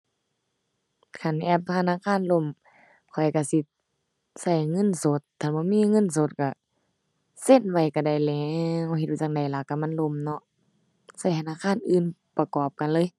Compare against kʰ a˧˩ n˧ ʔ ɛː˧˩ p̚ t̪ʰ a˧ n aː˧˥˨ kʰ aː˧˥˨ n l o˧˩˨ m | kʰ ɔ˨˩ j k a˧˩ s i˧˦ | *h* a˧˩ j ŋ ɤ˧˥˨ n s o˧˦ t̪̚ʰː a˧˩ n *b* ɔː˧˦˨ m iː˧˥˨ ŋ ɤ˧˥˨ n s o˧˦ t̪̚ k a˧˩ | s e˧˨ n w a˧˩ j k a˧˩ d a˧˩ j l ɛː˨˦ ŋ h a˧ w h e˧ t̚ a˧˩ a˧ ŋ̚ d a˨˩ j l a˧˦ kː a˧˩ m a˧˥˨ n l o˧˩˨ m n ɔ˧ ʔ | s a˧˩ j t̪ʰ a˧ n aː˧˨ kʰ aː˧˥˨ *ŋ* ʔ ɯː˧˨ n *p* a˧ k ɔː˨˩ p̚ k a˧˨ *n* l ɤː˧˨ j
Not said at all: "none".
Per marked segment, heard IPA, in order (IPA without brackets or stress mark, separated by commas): s, b, n, p, n